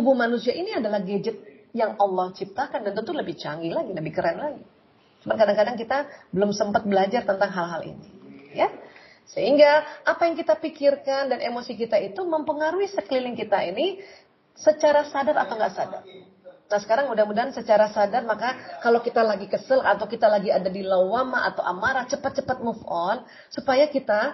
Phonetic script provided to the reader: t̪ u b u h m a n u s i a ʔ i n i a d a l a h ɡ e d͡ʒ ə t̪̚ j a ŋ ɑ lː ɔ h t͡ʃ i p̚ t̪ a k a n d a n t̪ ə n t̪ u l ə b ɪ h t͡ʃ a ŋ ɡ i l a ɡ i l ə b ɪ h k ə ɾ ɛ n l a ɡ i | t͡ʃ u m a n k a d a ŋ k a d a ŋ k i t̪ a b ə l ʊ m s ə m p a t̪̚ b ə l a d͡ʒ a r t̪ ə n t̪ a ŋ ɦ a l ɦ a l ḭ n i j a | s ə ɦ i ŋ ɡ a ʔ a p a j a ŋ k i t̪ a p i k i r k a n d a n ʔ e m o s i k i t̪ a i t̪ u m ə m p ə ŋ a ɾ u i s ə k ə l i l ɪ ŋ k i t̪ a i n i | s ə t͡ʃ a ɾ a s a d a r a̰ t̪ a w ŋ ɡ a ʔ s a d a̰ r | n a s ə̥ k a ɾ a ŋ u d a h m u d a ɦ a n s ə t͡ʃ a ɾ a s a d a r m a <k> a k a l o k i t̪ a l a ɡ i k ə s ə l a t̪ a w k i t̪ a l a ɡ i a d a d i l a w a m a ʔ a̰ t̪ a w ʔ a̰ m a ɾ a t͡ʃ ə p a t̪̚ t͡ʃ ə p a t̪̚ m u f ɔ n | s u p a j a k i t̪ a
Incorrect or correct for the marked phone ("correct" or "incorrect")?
correct